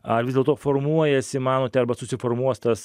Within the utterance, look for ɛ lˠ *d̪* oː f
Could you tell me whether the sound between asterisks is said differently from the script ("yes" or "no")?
yes